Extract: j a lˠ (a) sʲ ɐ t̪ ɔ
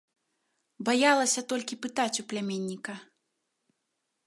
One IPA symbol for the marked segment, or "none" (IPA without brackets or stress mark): ɐ